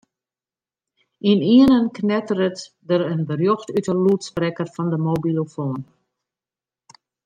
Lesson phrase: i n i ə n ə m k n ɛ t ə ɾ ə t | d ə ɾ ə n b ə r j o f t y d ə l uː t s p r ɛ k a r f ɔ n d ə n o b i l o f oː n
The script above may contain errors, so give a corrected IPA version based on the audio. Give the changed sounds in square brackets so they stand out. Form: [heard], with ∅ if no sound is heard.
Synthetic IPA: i n i ə n ə [n] k n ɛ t ə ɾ ə t | d ə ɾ ə n b ə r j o [x] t y [t] ə l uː t s p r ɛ k [ə] r f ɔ n d ə [m] o b i l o f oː n